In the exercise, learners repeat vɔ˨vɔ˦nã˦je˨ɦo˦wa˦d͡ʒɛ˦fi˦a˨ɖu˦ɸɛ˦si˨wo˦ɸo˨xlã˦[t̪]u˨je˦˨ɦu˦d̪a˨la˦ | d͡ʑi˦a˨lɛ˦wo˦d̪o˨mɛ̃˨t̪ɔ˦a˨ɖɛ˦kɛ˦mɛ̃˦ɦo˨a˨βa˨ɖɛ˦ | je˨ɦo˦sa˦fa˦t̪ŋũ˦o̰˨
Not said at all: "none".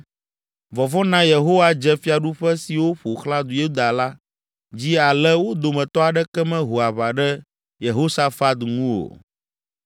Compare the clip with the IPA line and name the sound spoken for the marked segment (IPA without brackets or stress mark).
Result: d̪